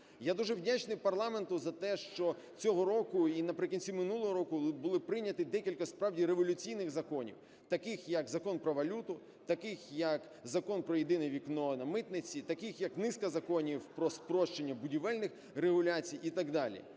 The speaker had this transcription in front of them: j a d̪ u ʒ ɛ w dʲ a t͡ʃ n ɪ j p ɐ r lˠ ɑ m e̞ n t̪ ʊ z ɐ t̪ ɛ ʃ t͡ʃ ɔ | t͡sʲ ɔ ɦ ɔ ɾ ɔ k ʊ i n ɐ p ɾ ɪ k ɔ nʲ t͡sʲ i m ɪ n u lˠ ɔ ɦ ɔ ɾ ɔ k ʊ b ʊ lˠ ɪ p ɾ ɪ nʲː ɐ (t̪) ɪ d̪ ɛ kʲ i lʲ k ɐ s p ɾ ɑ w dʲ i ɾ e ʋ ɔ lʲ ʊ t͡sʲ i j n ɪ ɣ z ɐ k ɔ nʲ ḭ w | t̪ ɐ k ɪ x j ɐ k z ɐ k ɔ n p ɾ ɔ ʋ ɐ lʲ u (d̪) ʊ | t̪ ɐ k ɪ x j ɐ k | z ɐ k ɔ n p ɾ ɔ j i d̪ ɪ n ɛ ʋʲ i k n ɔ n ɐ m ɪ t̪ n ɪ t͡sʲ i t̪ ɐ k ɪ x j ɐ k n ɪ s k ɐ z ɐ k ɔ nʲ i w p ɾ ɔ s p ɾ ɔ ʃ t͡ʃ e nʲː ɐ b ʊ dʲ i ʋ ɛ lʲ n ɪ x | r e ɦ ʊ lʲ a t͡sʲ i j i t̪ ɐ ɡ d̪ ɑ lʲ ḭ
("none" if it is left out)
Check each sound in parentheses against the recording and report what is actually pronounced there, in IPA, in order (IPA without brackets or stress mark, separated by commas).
t̪, t̪